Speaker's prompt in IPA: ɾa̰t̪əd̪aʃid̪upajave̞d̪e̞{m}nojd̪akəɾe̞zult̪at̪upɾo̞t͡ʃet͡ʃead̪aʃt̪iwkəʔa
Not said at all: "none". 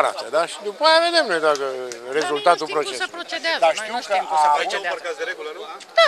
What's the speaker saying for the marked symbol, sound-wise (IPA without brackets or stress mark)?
m